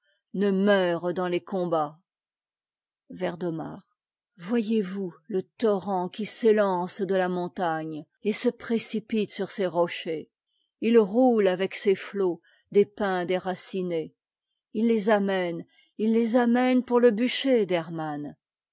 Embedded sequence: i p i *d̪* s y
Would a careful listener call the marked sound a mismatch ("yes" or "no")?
yes